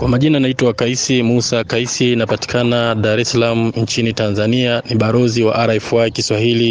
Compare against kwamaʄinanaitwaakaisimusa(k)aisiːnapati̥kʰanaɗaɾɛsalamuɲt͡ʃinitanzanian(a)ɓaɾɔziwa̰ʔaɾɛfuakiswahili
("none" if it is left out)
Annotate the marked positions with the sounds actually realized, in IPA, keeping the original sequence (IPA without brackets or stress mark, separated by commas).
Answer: k, i